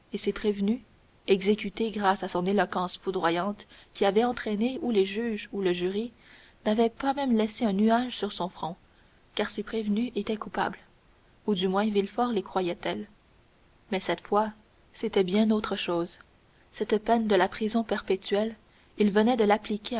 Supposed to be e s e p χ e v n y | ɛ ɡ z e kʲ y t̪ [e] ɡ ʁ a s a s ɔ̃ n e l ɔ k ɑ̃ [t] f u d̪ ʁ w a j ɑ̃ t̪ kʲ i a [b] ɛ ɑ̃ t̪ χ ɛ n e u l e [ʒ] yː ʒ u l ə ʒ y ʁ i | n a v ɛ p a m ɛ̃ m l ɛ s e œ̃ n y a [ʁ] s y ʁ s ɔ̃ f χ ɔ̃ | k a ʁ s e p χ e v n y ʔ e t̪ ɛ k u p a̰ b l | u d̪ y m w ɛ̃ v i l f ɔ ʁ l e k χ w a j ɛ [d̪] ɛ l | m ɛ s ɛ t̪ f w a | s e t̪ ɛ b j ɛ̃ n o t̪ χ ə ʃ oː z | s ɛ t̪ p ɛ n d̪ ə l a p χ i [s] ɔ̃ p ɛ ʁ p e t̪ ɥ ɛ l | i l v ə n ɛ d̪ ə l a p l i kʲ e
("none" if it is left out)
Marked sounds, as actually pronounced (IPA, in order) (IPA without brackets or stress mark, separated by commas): e, s, v, ʒ, ʒ, t̪, z